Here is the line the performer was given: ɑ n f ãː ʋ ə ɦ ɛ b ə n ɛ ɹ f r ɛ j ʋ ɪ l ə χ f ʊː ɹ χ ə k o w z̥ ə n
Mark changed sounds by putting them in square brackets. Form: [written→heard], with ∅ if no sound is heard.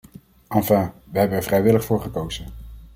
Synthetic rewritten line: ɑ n f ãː ʋ ə ɦ ɛ b ə n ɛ ɹ [f→v] r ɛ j ʋ ɪ l ə χ f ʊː ɹ χ ə k o w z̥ ə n